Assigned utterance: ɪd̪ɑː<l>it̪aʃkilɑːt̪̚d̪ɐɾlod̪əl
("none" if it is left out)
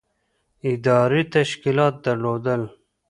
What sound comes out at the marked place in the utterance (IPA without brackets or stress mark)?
ɾ